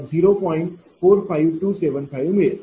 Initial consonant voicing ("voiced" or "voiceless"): voiced